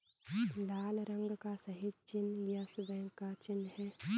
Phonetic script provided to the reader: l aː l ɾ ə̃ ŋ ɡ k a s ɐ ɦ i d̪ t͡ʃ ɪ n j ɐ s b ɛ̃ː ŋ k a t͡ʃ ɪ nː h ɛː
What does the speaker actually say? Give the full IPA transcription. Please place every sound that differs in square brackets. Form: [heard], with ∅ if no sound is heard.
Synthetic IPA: l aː l ɾ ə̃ ŋ ɡ k a s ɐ ɦ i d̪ t͡ʃ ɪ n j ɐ s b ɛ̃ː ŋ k a t͡ʃ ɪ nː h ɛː